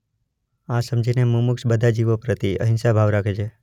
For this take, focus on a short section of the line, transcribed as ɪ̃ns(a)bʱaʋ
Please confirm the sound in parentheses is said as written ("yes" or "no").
yes